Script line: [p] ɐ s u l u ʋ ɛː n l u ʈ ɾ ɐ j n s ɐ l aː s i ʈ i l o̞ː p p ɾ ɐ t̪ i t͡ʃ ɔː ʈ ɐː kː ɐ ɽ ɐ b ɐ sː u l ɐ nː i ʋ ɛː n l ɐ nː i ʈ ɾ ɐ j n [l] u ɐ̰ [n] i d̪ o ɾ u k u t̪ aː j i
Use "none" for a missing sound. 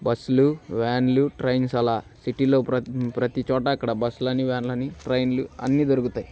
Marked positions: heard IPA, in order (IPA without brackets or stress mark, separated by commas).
b, l, nː